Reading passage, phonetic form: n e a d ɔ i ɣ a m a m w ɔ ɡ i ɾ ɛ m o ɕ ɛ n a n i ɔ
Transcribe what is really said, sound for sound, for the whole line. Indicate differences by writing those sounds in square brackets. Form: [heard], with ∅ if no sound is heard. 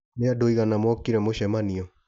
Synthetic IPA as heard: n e a d [o] i ɣ a [n] a m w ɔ [k] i ɾ ɛ m o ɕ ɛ [m] a n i ɔ